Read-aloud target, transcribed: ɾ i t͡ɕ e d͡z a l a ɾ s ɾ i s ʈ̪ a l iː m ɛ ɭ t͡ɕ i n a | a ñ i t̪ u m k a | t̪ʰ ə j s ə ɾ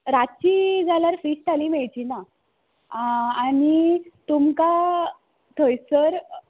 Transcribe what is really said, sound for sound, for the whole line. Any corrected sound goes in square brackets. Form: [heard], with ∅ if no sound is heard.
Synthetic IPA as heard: ɾ [a] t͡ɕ [i] d͡z a l a ɾ [f] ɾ i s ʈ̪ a l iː m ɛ ɭ t͡ɕ i n a | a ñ i t̪ u m k a | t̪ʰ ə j s ə ɾ